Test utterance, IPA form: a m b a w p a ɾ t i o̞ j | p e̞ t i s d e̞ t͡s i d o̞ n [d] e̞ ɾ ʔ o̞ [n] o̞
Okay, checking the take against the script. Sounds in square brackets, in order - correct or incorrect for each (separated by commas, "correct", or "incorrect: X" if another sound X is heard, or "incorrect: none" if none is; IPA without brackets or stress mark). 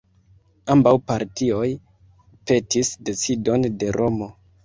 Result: correct, incorrect: m